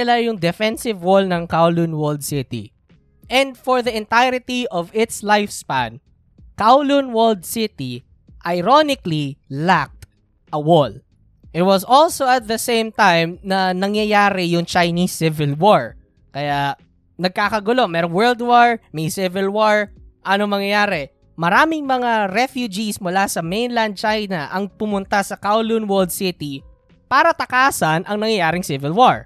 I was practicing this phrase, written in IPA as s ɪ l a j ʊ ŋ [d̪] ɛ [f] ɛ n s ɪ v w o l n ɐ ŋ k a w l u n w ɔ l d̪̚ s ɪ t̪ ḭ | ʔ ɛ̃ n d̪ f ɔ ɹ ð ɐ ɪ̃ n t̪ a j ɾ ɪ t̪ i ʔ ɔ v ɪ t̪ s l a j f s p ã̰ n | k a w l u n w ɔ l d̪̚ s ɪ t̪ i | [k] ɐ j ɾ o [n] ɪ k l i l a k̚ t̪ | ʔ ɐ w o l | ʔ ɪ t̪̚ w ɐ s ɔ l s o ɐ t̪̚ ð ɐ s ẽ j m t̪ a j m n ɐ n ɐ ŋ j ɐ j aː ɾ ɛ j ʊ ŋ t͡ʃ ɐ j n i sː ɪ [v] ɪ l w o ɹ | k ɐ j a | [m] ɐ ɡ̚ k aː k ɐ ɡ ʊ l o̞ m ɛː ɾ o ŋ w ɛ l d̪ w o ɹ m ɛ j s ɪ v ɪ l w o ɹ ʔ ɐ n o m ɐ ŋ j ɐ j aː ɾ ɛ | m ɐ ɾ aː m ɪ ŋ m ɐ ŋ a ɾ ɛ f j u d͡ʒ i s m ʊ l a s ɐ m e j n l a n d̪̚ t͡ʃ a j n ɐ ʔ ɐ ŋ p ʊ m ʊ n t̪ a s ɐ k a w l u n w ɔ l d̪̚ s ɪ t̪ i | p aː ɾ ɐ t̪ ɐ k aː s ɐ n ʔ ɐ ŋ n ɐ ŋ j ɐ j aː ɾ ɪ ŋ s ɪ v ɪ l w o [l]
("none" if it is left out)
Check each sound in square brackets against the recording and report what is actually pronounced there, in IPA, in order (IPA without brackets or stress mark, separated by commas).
d̪, f, ʔ, n, v, n, ɹ